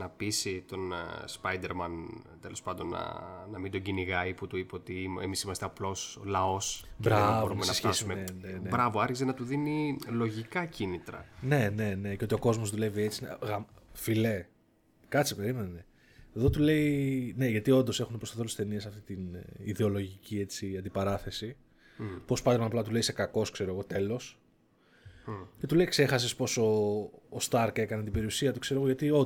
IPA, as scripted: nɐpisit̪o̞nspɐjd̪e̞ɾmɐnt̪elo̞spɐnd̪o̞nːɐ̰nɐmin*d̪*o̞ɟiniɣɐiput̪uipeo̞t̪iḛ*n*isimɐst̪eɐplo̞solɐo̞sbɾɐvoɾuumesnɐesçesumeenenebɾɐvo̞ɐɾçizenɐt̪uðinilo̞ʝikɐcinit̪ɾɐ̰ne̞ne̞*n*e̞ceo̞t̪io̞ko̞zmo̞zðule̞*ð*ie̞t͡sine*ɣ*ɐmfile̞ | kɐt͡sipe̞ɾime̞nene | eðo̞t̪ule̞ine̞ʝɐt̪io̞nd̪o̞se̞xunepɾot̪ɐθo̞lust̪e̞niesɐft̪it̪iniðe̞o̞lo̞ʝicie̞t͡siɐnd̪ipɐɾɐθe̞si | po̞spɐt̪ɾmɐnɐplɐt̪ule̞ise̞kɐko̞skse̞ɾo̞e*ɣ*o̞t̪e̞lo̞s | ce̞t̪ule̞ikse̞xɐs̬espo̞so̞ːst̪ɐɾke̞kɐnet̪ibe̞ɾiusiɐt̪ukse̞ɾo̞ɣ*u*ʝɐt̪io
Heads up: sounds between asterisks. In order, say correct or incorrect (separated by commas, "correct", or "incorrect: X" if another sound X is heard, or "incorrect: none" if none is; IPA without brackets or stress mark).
correct, incorrect: m, correct, incorrect: v, correct, correct, incorrect: o